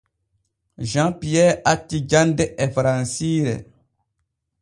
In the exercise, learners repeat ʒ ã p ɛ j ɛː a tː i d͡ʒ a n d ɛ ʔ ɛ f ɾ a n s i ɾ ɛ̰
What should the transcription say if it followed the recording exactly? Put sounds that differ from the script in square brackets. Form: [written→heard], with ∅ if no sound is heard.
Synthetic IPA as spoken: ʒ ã p [ɛ→i] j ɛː a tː i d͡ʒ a n d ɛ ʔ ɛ f ɾ a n s i ɾ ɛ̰

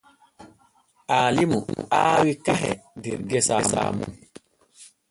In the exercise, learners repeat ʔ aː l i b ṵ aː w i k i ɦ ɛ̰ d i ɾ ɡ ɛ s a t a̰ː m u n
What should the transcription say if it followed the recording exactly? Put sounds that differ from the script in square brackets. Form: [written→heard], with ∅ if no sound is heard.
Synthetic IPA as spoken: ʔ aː l i [b→m] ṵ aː w i k [i→a] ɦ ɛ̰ d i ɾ ɡ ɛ s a [t→s] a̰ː m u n

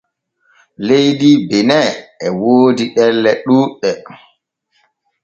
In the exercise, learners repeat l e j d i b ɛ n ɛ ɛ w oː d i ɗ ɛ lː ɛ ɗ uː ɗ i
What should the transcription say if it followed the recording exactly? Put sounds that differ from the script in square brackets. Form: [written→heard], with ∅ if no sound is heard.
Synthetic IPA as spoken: l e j d i b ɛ n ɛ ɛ w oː d i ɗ ɛ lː ɛ ɗ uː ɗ [i→ɛ]

